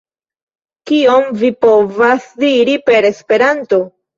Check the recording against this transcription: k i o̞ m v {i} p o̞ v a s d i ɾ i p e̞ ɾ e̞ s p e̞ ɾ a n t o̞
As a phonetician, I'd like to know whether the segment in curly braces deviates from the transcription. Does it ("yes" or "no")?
no